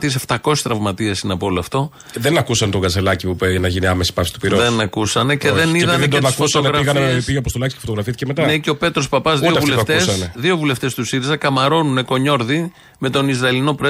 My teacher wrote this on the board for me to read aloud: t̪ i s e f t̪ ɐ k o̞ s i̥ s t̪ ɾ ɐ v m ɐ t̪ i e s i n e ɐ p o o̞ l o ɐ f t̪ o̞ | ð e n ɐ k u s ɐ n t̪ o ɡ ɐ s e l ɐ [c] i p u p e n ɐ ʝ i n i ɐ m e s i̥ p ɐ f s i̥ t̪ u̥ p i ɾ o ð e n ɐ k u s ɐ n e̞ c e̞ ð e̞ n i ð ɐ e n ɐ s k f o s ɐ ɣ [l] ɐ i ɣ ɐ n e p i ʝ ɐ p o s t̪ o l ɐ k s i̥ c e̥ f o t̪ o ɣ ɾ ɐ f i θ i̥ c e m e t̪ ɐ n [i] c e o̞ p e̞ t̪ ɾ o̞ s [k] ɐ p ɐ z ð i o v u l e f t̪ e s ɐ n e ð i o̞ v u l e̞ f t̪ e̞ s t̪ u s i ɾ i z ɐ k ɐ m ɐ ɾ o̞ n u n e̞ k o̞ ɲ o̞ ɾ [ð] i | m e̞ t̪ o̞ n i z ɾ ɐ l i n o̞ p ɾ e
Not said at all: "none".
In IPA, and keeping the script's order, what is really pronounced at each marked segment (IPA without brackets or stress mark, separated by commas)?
c, ɾ, e, p, ð